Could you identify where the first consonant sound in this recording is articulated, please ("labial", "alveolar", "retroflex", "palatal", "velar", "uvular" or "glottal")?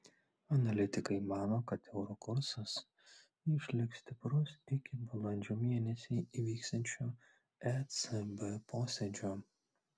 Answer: alveolar